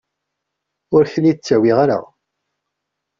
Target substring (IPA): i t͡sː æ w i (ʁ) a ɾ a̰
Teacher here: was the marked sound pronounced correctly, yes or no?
yes